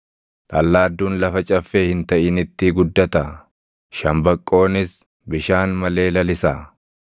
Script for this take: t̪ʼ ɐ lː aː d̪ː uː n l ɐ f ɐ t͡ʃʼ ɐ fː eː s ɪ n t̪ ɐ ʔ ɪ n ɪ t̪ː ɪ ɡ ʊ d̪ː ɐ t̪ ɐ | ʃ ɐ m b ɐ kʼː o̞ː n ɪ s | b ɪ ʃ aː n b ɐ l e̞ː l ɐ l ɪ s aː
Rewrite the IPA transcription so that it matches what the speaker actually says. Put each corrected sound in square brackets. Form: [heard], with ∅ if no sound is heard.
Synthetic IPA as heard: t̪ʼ ɐ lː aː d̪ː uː n l ɐ f ɐ t͡ʃʼ ɐ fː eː [h] ɪ n t̪ ɐ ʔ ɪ n ɪ t̪ː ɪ ɡ ʊ d̪ː ɐ t̪ ɐ | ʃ ɐ m b ɐ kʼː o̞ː n ɪ s | b ɪ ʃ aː n [m] ɐ l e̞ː l ɐ l ɪ s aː